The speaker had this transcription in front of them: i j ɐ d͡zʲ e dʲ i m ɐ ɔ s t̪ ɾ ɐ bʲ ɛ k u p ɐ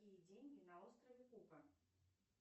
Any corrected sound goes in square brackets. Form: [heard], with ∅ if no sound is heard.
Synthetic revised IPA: i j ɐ d͡zʲ e [nʲ] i [n] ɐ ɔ s t̪ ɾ ɐ [vʲ] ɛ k u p ɐ